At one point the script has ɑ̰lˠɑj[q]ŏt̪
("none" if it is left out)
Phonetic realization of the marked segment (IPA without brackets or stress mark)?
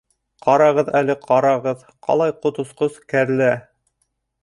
q